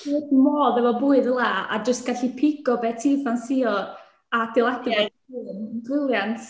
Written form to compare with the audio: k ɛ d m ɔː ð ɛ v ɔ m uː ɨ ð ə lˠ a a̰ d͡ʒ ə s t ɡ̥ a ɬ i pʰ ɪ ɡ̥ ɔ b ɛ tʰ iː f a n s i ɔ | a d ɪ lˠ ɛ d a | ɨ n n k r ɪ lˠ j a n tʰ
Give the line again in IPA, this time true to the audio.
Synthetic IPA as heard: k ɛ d m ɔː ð ɛ v ɔ b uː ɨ ð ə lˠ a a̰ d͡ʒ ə s t ɡ̥ a ɬ i pʰ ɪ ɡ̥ ɔ b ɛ tʰ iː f a n s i ɔ | a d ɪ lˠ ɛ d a | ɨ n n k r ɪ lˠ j a n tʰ